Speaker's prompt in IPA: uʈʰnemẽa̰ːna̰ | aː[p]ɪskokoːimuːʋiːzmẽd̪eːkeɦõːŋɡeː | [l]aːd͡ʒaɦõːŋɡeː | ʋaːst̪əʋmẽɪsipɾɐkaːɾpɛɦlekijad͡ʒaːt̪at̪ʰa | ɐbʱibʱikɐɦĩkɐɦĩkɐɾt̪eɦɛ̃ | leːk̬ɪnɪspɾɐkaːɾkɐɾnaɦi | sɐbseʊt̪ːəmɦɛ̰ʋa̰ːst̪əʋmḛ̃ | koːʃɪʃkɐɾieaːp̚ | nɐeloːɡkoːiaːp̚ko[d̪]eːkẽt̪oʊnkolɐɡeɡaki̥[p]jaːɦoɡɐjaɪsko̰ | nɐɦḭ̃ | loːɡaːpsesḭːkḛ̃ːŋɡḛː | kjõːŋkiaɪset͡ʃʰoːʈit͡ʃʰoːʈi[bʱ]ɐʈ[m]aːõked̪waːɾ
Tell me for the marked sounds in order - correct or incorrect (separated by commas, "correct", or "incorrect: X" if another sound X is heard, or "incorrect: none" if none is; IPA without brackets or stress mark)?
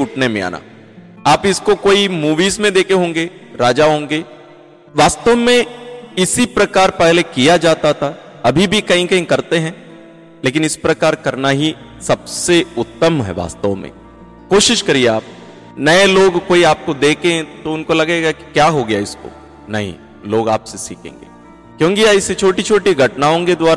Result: correct, incorrect: ɾ, correct, incorrect: k, incorrect: ɡʱ, incorrect: n